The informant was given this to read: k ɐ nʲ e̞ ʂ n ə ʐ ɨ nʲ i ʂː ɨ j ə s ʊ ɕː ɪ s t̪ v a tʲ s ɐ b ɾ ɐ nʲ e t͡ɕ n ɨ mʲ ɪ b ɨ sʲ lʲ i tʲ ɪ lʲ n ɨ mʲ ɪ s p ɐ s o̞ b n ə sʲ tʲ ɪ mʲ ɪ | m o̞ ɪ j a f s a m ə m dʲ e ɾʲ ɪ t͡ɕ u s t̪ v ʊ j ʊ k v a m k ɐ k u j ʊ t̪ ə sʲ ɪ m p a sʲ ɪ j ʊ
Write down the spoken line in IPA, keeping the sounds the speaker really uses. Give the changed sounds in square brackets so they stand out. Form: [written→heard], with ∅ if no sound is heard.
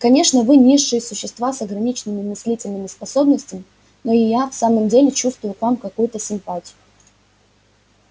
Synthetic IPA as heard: k ɐ nʲ e̞ ʂ n ə [ʐ→v] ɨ nʲ i ʂː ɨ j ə s ʊ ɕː ɪ s t̪ v a [tʲ→∅] s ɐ [b→ɡ] ɾ ɐ nʲ [e→i] t͡ɕ n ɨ mʲ ɪ [b→m] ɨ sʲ lʲ i tʲ ɪ lʲ n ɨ mʲ ɪ s p ɐ s o̞ b n ə sʲ tʲ ɪ mʲ ɪ | [m→n] o̞ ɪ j a f s a m ə m dʲ e [ɾʲ→lʲ] ɪ t͡ɕ u s t̪ v ʊ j ʊ k v a m k ɐ k u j ʊ t̪ ə sʲ ɪ m p a [sʲ→tʲ] ɪ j ʊ